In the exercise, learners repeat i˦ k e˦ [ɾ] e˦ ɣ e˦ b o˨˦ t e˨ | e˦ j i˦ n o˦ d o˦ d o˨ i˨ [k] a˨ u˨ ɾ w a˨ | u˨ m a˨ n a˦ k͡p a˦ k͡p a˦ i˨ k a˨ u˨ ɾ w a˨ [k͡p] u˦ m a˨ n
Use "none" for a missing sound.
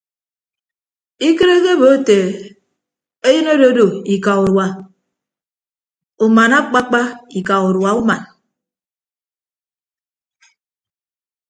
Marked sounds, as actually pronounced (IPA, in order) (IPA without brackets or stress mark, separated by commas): ɾ, k, none